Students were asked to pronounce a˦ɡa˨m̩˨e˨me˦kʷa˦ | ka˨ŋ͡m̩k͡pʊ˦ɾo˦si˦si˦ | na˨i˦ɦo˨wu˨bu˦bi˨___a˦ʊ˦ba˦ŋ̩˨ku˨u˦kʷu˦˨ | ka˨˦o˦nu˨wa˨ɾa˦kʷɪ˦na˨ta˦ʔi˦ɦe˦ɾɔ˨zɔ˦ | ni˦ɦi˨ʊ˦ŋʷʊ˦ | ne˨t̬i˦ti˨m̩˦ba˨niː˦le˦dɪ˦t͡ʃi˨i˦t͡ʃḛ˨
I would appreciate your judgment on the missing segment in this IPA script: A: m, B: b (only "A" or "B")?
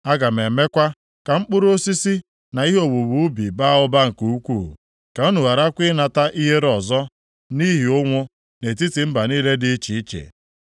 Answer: B